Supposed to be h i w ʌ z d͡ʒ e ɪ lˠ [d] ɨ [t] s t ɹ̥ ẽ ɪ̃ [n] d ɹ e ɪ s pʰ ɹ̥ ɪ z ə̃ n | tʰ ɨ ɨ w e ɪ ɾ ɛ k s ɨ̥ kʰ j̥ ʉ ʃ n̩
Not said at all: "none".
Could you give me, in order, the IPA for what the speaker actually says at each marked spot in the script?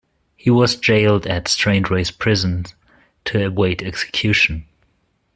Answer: d, t, n

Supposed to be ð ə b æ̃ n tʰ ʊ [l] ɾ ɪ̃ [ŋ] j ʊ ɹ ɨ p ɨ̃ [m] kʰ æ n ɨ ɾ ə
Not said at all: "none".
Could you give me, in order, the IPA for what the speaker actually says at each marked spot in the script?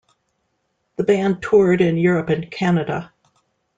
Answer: ɹ, n, n

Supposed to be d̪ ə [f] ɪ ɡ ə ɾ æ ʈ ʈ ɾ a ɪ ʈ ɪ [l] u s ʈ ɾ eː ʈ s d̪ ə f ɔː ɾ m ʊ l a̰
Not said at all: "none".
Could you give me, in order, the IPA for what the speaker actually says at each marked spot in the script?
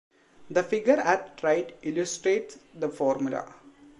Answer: f, l

